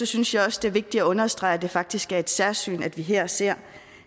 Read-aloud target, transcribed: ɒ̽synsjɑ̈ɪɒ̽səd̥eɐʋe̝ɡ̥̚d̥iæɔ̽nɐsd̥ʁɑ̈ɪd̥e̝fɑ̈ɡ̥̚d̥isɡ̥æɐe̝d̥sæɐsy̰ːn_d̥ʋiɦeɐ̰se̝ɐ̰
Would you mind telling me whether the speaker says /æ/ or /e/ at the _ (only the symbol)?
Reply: æ